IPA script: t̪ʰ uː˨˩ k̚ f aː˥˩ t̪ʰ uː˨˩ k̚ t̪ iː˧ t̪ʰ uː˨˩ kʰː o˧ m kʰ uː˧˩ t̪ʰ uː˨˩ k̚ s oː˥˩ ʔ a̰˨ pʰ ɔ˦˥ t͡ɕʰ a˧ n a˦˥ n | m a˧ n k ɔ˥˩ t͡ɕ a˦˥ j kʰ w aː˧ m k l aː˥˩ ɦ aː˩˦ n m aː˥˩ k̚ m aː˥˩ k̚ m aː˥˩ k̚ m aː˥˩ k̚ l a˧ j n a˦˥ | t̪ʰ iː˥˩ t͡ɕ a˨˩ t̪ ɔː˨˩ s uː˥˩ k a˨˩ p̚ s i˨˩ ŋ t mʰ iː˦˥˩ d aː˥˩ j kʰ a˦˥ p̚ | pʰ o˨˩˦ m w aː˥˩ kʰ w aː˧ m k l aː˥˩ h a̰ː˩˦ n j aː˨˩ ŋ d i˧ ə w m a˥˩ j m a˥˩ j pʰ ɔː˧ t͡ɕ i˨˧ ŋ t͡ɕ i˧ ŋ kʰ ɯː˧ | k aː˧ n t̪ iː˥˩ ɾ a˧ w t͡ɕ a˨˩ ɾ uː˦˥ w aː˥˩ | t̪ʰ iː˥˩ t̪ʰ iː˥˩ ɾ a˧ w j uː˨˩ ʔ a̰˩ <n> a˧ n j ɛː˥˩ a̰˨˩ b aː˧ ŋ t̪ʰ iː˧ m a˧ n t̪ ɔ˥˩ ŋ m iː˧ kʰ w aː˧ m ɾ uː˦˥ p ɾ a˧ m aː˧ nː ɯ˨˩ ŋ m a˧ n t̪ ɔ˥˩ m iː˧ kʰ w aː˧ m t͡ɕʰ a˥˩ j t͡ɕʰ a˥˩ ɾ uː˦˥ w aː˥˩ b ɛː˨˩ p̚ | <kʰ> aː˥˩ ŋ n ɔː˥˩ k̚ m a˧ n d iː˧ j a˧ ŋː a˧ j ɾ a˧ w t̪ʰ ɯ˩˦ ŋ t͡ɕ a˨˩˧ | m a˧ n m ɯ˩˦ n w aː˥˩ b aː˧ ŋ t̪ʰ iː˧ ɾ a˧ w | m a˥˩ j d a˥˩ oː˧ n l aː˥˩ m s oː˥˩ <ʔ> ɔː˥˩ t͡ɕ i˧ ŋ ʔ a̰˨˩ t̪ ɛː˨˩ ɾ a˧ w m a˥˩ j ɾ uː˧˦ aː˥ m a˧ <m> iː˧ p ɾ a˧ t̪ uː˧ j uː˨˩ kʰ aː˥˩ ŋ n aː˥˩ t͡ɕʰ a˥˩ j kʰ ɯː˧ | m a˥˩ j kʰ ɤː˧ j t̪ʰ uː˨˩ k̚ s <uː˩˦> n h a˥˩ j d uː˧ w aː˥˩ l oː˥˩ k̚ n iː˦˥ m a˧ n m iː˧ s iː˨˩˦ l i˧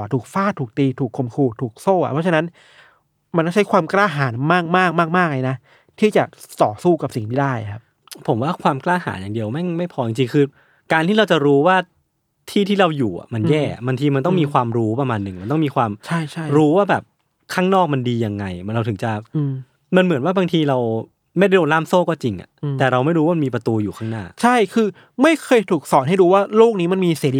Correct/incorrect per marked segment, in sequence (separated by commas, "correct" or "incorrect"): incorrect, correct, incorrect, correct, incorrect